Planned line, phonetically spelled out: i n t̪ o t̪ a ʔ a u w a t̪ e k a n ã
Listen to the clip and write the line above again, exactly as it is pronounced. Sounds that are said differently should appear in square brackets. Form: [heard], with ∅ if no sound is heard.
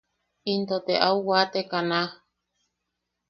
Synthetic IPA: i n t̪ o t̪ [e] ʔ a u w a t̪ e k a n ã